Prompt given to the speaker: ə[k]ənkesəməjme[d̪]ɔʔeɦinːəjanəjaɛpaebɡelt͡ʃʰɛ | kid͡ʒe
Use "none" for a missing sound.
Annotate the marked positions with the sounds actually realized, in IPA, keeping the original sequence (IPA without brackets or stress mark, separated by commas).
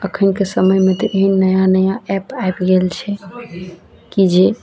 kʰ, t̪